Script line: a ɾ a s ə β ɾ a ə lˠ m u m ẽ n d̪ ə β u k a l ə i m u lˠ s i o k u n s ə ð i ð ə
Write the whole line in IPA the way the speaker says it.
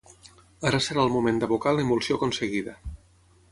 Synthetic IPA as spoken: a ɾ a s ə ɾ a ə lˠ m u m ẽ n d̪ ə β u k a l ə i m u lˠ s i o k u n s ə ɣ i ð ə